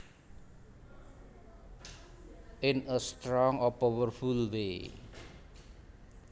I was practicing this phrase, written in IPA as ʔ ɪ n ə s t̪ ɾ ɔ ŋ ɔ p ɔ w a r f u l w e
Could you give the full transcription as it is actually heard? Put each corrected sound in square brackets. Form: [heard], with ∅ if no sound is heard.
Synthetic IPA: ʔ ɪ n ə s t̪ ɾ ɔ ŋ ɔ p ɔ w [ə] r f u l w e